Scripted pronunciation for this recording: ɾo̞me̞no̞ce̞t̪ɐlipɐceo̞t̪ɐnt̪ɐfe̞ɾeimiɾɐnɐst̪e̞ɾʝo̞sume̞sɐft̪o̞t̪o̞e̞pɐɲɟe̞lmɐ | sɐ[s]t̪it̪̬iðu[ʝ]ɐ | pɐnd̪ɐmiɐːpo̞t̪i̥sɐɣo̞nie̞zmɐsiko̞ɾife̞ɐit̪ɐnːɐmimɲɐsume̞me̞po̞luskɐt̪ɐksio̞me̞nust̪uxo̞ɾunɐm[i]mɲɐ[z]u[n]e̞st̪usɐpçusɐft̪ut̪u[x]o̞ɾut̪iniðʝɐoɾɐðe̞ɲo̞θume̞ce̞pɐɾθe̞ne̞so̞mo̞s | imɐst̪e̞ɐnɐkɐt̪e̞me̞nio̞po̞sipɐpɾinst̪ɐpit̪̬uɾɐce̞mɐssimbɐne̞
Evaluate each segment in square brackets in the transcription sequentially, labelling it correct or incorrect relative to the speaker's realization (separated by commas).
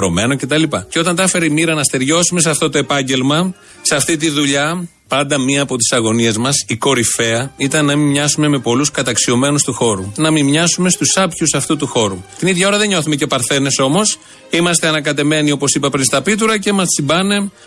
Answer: incorrect, incorrect, correct, incorrect, incorrect, correct